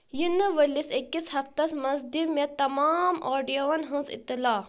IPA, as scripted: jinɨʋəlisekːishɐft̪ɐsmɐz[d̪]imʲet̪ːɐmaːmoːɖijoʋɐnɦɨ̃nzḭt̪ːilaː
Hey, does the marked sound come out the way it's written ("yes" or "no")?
yes